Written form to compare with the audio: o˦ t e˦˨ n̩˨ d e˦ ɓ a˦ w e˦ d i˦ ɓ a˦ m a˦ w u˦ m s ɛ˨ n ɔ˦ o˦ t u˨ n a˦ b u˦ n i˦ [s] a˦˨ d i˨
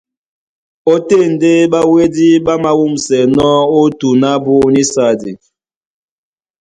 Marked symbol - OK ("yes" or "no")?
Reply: yes